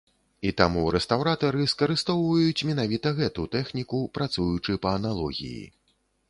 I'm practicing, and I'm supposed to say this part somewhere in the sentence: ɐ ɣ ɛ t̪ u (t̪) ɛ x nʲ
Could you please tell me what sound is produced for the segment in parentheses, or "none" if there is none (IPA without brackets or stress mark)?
t̪